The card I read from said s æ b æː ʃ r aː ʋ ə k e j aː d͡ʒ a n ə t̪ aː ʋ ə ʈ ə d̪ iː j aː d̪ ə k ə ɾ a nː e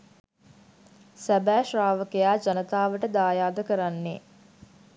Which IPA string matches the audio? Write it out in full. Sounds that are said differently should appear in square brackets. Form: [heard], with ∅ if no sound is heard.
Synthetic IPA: s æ b æː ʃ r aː ʋ ə k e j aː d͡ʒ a n ə t̪ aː ʋ ə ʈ ə d̪ [aː] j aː d̪ ə k ə ɾ a nː e

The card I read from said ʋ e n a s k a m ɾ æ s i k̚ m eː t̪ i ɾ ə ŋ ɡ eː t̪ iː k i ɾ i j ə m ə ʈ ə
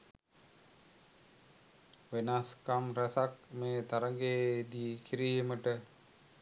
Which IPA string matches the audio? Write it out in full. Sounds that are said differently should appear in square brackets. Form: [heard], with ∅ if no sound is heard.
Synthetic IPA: ʋ e n a s k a m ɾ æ s [a] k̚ m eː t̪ [a] ɾ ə ŋ ɡ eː [d̪] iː k i ɾ i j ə m ə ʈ ə

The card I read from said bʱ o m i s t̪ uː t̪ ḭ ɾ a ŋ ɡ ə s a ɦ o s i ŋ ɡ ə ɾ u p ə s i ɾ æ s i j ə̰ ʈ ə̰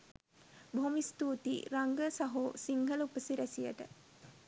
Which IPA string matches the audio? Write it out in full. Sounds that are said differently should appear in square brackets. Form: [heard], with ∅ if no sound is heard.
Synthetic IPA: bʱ o m i s t̪ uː t̪ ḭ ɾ a ŋ ɡ ə s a ɦ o s i ŋ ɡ ə [l] u p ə s i ɾ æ s i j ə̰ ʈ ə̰

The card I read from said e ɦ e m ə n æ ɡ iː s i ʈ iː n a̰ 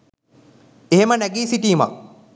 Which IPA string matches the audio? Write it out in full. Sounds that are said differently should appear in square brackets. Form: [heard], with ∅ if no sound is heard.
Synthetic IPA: e ɦ e m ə n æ ɡ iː s i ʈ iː [m] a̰

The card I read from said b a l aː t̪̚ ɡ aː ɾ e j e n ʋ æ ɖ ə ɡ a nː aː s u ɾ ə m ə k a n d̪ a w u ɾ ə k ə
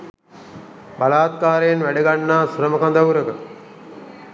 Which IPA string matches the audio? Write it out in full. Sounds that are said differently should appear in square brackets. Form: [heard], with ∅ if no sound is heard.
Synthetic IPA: b a l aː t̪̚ [k] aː ɾ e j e n ʋ æ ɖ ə ɡ a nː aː s u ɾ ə m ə k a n d̪ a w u ɾ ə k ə

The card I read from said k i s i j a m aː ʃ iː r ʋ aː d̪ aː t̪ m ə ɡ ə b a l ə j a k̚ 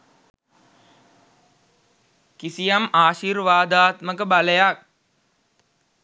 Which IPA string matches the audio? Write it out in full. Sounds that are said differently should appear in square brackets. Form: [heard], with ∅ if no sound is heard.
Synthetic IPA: k i s i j a m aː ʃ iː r ʋ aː d̪ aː t̪ m ə [k] ə b a l ə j a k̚

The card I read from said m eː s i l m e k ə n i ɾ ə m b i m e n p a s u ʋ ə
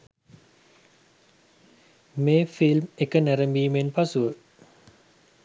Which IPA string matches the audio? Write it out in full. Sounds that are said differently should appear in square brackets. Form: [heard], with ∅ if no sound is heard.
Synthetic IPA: m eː [f] i l m e k ə n [æ] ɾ ə m b [iː] m e n p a s u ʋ ə

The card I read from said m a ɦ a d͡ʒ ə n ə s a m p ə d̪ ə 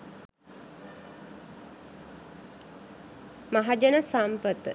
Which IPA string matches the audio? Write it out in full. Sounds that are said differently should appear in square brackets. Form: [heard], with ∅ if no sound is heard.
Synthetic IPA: m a ɦ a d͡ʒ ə n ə s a m p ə [t̪] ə

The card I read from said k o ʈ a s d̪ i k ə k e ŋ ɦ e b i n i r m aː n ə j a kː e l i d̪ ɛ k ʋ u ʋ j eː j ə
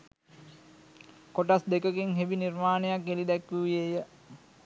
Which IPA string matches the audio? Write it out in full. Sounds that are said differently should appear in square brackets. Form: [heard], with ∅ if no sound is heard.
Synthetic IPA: k o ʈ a s d̪ [e] k ə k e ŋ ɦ e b i n i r m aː n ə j a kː e l i d̪ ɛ k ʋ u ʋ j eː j ə

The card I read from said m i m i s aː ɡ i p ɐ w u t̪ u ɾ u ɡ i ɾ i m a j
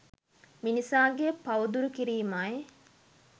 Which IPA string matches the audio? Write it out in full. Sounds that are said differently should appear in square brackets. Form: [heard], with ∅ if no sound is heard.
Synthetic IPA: m i [n] i s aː ɡ [e] p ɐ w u [d̪] u ɾ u [k] i ɾ [iː] m a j

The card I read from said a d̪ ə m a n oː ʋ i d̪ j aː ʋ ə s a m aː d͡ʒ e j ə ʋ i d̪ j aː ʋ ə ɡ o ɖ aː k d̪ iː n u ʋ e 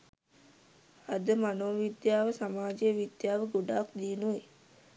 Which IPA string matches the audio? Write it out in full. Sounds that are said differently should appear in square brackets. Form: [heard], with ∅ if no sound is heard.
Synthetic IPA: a d̪ ə m a n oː ʋ i d̪ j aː ʋ ə s a m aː d͡ʒ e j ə ʋ i d̪ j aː ʋ ə ɡ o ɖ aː k d̪ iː n u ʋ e

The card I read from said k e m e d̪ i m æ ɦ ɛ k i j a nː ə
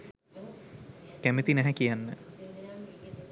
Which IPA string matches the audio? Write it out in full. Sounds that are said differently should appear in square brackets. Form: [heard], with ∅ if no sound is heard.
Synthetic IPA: k [æ] m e [t̪] i [n] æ ɦ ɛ k i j a nː ə

